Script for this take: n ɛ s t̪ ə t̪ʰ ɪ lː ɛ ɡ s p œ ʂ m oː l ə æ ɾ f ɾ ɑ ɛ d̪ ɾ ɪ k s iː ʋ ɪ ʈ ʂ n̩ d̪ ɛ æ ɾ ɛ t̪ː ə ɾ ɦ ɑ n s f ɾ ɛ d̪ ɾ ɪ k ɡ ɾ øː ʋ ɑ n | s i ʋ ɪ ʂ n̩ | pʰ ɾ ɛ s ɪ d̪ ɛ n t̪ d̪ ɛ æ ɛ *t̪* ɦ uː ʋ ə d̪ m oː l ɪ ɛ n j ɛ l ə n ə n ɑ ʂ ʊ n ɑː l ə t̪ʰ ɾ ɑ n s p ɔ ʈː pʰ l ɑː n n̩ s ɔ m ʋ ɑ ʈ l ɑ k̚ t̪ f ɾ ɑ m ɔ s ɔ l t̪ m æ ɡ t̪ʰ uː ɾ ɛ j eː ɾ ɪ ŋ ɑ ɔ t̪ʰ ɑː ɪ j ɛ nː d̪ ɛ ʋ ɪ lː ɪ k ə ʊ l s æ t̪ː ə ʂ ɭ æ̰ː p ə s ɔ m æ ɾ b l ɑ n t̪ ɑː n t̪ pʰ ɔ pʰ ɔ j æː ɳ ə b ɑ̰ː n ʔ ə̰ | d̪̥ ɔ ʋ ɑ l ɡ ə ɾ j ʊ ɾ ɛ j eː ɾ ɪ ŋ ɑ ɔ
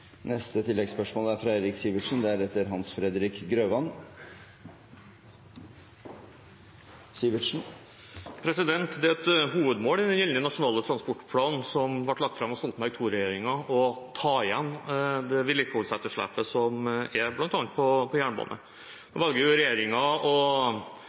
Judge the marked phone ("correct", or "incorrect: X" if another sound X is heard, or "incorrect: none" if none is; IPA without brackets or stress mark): correct